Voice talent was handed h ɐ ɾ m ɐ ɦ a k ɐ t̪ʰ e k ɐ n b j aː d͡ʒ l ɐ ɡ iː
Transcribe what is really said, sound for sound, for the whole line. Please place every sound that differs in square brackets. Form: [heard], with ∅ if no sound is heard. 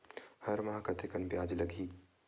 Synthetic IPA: h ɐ ɾ m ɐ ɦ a k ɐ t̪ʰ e k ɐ n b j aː d͡ʒ l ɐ ɡ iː